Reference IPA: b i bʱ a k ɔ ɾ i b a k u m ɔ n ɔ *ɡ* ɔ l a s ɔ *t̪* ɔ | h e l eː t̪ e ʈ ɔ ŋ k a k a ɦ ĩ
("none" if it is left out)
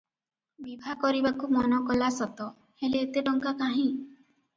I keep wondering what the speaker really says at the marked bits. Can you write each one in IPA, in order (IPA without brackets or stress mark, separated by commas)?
k, t̪